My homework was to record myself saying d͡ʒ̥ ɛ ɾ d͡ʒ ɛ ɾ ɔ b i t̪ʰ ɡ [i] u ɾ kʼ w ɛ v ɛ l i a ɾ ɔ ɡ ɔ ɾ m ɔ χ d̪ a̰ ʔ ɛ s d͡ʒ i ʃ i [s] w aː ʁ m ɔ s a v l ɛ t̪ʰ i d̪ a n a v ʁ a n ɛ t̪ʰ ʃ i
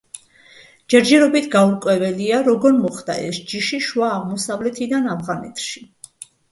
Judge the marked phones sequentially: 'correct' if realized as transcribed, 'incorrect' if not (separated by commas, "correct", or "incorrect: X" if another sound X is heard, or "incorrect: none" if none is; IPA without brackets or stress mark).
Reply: incorrect: a, incorrect: ʃ